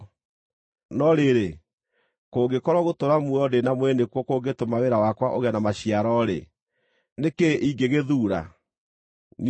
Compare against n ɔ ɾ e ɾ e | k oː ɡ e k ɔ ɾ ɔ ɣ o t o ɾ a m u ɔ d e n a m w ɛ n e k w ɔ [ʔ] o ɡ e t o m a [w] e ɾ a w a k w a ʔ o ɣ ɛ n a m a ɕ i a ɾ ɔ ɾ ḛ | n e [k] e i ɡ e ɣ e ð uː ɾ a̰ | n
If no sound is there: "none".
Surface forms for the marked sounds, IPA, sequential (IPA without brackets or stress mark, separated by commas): k, w, k